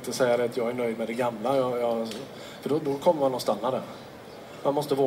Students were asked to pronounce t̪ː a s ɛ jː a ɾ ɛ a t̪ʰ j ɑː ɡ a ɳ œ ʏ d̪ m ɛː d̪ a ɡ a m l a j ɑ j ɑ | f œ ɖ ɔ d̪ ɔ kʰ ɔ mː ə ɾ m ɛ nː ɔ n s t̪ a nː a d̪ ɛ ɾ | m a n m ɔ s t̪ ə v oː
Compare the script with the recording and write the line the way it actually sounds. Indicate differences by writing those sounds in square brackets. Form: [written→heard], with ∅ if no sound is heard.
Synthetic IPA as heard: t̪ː [a→ə] s ɛ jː a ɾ ɛ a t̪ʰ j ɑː ɡ [a→æ] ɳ œ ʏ d̪ m [ɛː→ɛ] d̪ [a→ɛ] ɡ a m l a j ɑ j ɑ | f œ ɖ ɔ d̪ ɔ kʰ ɔ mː ə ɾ m [ɛ→a] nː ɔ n s t̪ a nː a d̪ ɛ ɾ | m a n m ɔ s t̪ ə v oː